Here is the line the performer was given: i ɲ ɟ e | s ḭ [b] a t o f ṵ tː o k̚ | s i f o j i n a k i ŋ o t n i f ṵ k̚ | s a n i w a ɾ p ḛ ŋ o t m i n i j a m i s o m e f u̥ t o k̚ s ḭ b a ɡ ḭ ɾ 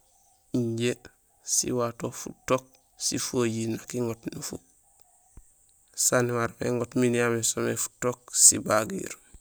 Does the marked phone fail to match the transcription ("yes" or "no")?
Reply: yes